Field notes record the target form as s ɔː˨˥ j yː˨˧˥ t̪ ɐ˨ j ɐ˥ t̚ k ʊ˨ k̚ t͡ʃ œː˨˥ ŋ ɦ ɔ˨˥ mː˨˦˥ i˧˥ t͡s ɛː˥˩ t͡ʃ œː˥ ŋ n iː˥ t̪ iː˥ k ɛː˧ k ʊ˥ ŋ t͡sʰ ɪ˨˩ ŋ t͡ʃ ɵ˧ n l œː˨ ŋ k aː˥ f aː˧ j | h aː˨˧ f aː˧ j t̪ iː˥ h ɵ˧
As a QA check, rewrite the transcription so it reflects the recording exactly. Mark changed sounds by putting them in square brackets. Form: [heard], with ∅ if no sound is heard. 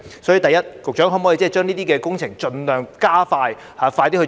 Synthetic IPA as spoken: s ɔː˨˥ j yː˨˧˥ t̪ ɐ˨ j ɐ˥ t̚ k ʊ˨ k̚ t͡ʃ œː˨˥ ŋ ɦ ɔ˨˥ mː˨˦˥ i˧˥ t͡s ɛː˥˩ t͡ʃ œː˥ ŋ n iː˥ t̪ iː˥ k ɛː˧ k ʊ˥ ŋ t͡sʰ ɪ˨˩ ŋ t͡ʃ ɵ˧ n l œː˨ ŋ k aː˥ f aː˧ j | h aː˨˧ f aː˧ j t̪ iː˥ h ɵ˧